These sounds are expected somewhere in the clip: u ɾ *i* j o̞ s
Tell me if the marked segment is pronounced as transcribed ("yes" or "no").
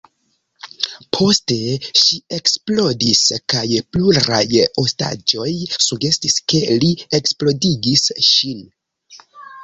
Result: no